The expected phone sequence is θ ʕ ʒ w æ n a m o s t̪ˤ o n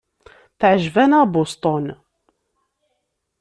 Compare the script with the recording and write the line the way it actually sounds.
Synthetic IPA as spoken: θ ʕ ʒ v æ n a b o s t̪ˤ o n